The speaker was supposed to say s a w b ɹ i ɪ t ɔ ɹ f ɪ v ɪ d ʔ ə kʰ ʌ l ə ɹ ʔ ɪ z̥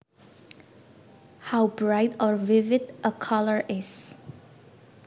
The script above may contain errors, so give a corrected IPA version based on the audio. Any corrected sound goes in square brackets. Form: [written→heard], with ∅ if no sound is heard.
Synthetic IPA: [s→h] a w b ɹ [i→a] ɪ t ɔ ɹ [f→v] ɪ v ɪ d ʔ ə kʰ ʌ l ə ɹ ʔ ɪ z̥